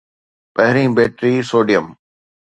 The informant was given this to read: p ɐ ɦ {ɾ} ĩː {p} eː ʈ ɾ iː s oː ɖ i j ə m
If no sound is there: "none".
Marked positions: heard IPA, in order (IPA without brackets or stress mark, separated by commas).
ɾ, b